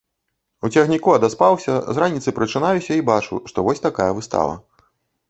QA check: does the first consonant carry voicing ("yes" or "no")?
no